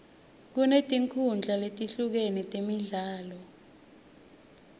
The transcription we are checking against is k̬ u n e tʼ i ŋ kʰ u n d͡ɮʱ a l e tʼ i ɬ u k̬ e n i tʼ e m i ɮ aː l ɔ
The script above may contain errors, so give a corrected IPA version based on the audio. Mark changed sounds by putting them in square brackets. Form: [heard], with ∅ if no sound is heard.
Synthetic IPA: k̬ u n e tʼ i ŋ kʰ u n d͡ɮʱ a l e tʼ i ɬ u k̬ e n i tʼ e m i ɮ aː l ɔ